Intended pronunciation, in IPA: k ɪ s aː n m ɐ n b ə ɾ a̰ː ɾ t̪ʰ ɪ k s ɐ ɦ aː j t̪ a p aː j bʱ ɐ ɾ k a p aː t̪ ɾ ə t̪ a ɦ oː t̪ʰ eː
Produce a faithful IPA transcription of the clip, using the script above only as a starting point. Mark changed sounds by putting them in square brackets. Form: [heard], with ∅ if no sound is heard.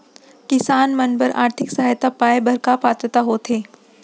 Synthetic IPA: k ɪ s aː n m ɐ n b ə ɾ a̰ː ɾ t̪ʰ ɪ k s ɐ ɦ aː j t̪ a p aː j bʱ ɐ ɾ k a p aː t̪ ɾ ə t̪ a ɦ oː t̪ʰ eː